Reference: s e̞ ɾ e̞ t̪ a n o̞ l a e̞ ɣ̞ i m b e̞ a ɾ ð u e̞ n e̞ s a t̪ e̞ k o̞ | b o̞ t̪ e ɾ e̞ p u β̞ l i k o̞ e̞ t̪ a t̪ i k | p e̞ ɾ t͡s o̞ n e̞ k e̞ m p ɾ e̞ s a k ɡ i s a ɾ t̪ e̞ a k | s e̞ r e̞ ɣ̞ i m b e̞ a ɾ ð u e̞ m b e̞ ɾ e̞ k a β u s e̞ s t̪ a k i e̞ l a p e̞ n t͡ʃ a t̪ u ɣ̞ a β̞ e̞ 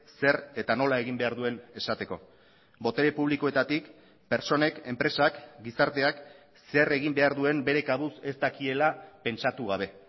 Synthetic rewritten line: s e̞ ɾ e̞ t̪ a n o̞ l a e̞ ɣ̞ i m b e̞ a ɾ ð u e̞ n e̞ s a t̪ e̞ k o̞ | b o̞ t̪ e ɾ e̞ p u β̞ l i k o̞ e̞ t̪ a t̪ i k | p e̞ ɾ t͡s o̞ n e̞ k e̞ m p ɾ e̞ s a k ɡ i s a ɾ t̪ e̞ a k | s e̞ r e̞ ɣ̞ i m b e̞ a ɾ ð u e̞ m b e̞ ɾ e̞ k a β u s e̞ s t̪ a k i e̞ l a p e̞ n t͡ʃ a t̪ u ɣ̞ a β̞ e̞